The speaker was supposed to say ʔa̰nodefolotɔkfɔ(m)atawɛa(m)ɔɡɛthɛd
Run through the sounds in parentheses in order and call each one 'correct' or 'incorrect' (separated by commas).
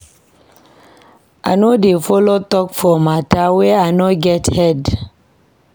correct, incorrect